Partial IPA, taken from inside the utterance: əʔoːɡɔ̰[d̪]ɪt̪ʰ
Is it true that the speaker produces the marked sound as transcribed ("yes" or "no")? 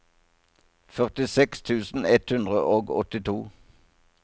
no